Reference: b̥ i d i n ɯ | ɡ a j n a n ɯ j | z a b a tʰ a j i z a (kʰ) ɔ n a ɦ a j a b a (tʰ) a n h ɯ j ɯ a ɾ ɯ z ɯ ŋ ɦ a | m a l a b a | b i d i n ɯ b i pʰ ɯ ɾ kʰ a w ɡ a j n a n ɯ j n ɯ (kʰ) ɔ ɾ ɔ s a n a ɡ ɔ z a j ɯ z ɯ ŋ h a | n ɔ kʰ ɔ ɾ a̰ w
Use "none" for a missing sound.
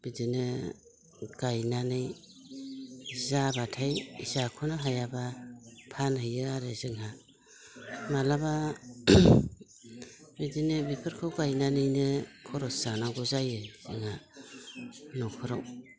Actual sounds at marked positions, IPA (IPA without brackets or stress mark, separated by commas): kʰ, pʰ, kʰ